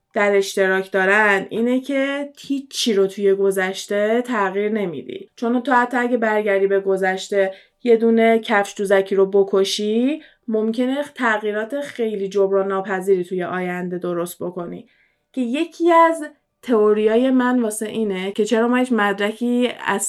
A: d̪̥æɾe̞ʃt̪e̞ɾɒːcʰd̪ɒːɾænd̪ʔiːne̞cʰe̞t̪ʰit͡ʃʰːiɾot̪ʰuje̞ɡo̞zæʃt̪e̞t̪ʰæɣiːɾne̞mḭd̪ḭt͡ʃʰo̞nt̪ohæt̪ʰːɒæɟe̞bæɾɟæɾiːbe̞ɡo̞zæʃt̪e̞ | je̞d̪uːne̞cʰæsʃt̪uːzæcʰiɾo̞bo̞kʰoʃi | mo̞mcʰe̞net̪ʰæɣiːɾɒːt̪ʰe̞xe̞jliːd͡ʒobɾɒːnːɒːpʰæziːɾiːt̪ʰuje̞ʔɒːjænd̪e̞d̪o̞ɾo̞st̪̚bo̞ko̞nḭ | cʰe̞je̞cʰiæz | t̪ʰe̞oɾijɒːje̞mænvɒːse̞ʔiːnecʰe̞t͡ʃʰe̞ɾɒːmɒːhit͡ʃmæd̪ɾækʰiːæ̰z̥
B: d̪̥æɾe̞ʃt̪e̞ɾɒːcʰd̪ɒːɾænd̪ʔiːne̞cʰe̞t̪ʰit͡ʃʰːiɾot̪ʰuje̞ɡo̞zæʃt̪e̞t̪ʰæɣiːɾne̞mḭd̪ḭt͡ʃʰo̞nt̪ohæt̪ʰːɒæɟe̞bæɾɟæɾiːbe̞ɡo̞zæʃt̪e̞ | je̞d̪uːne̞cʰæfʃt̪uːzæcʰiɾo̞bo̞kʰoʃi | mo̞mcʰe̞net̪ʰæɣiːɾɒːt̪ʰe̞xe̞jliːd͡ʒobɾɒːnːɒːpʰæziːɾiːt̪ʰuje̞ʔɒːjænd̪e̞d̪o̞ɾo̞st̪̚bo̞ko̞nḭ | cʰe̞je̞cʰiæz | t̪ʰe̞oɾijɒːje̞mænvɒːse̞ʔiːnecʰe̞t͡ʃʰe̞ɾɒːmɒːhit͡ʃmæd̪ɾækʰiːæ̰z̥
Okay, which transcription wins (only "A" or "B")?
B